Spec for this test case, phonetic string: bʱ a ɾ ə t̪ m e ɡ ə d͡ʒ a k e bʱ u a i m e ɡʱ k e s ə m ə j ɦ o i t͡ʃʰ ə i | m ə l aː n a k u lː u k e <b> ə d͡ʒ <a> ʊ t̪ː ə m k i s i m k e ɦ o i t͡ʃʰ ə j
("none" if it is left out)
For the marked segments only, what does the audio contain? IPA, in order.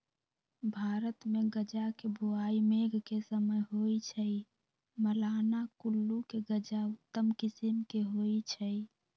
ɡ, a

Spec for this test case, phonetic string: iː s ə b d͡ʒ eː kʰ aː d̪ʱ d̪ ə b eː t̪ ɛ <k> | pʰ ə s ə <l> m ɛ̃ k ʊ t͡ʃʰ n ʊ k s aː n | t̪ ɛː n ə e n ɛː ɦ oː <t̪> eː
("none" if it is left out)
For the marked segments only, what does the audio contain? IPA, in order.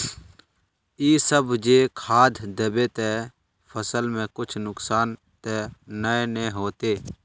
none, l, t̪

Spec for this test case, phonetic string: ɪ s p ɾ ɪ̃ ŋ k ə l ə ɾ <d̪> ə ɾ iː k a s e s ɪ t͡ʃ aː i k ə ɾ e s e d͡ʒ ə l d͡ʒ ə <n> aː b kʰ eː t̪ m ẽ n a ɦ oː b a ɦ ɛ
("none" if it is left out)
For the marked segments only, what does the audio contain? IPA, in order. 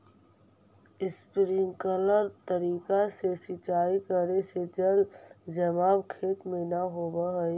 t̪, m

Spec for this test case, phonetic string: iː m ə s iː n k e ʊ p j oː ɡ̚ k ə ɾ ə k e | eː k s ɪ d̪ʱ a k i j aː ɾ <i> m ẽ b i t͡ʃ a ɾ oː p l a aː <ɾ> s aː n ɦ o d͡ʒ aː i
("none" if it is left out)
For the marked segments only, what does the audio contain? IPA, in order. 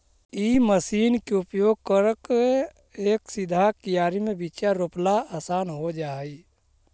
i, none

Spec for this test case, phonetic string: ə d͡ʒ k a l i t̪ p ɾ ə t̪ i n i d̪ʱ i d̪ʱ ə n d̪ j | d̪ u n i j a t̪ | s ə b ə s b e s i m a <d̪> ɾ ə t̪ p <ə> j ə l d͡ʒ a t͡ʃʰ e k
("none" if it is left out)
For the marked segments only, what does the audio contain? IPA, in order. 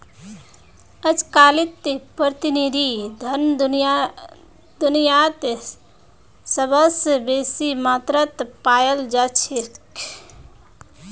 t̪, a

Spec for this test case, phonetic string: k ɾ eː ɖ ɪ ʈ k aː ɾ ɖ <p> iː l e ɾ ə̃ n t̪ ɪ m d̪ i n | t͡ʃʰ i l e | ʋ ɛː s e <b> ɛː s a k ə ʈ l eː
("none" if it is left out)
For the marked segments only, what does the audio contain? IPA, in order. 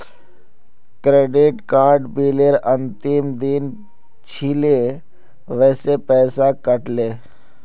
b, p

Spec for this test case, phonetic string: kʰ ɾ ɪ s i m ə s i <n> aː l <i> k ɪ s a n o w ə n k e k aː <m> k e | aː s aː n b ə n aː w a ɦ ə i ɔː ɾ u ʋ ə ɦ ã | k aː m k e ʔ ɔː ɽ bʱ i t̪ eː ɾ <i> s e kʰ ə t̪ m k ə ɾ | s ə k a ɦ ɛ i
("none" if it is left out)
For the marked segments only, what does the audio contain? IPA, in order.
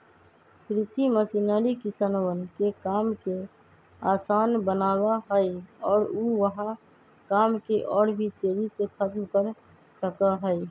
n, i, m, i

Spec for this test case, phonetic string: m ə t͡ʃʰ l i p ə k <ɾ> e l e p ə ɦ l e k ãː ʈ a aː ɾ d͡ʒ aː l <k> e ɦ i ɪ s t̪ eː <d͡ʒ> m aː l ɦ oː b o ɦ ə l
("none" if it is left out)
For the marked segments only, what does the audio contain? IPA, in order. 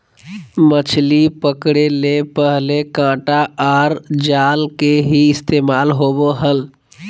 ɽ, k, none

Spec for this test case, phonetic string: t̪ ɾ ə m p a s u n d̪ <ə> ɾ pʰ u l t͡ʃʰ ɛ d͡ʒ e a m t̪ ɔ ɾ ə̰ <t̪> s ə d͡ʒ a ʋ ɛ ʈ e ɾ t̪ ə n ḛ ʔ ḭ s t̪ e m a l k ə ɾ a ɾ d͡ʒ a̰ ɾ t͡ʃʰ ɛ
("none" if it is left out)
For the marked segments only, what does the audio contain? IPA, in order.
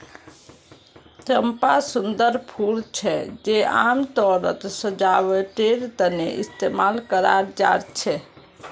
ə, t̪

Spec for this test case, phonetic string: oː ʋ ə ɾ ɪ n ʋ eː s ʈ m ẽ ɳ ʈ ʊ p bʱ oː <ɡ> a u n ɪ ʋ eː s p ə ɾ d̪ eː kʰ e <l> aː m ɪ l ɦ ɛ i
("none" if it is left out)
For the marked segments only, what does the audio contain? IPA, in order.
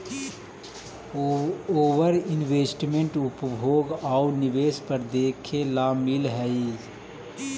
ɡ, l

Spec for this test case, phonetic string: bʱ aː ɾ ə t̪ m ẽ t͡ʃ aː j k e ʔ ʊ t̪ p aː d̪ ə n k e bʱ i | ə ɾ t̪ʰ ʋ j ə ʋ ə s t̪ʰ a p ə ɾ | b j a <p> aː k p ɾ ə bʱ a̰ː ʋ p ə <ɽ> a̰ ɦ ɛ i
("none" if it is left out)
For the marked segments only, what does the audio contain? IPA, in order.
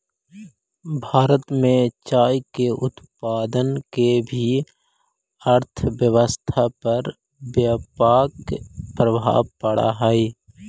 p, ɽ

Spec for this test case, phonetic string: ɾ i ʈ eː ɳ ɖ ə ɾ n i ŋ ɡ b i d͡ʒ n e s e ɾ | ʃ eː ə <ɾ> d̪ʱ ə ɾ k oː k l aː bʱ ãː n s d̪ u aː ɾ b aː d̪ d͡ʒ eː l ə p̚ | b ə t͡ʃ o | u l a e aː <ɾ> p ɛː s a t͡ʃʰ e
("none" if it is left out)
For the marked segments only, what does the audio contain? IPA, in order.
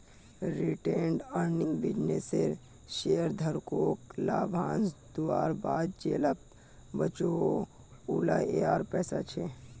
ɾ, ɾ

